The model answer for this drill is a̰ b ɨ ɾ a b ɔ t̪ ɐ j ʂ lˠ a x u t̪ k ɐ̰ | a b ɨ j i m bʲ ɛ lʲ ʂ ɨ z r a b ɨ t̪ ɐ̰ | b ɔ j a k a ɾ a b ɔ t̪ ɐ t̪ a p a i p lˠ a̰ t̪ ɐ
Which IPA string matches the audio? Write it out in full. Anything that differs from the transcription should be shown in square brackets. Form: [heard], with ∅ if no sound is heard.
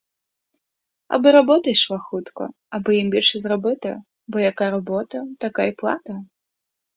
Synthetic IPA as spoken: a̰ b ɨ ɾ a b ɔ t̪ ɐ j ʂ lˠ a x u t̪ k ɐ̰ | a b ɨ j i m bʲ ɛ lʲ ʂ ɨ z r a b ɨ t̪ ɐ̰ | b ɔ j a k a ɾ a b ɔ t̪ ɐ t̪ a [k] a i p lˠ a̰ t̪ ɐ

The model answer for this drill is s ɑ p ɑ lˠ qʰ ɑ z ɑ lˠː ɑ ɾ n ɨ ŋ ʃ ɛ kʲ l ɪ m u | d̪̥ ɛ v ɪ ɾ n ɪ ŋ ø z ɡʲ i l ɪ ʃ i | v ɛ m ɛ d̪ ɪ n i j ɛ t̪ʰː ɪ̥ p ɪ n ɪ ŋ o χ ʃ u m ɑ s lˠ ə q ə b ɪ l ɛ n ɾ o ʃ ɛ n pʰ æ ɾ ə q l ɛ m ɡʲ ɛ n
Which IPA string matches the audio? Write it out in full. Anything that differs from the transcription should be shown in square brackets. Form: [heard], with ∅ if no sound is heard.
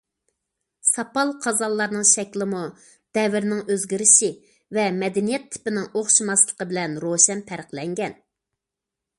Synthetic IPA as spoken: s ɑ p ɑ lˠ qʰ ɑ z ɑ lˠː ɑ ɾ n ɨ ŋ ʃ ɛ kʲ l ɪ m u | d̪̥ ɛ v ɪ ɾ n ɪ ŋ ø z ɡʲ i [ɾ] ɪ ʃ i | v ɛ m ɛ d̪ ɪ n i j ɛ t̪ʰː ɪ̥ p ɪ n ɪ ŋ o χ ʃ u m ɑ s lˠ ə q ə b ɪ l ɛ n ɾ o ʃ ɛ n pʰ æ ɾ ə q l ɛ [ŋ] ɡʲ ɛ n

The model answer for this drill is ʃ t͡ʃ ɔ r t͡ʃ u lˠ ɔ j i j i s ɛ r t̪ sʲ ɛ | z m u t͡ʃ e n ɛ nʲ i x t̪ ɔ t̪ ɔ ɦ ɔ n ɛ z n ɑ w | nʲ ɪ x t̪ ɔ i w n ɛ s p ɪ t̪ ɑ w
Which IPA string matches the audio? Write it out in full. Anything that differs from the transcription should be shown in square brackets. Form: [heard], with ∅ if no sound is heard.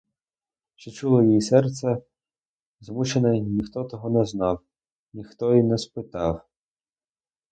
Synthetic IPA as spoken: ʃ t͡ʃ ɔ [∅] t͡ʃ u lˠ ɔ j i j i s ɛ r t̪ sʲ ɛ | z m u t͡ʃ e n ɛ nʲ i x t̪ ɔ t̪ ɔ ɦ ɔ n ɛ z n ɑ w | nʲ [i] x t̪ ɔ i [∅] n ɛ s p ɪ t̪ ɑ w

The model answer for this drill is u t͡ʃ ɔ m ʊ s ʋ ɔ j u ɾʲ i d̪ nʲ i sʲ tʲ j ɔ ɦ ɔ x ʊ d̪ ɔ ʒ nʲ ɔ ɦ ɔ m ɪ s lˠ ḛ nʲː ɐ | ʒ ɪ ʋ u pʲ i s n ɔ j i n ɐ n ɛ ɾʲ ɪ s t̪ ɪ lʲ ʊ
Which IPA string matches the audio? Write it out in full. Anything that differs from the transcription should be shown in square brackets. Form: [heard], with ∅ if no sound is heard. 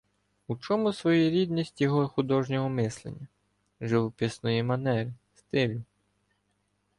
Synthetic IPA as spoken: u t͡ʃ ɔ m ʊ s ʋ ɔ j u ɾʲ i d̪ nʲ i sʲ tʲ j ɔ ɦ ɔ x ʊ d̪ ɔ ʒ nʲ ɔ ɦ ɔ m ɪ s lˠ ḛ nʲː ɐ | ʒ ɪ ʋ [ɔ] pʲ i s n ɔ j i [m] ɐ n ɛ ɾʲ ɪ s t̪ ɪ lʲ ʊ

